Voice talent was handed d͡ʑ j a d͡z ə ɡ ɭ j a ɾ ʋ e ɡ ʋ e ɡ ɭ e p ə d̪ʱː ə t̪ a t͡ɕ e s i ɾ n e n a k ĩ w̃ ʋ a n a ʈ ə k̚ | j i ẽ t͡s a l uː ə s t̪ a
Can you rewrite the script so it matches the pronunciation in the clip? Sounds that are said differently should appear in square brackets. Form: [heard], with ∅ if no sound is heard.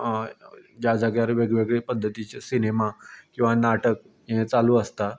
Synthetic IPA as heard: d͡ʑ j a d͡z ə ɡ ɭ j a ɾ ʋ e ɡ ʋ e ɡ ɭ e p ə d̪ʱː ə t̪ [i] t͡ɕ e s i [∅] n e [m] a k ĩ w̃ ʋ a n a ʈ ə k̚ | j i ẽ t͡s a l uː ə s t̪ a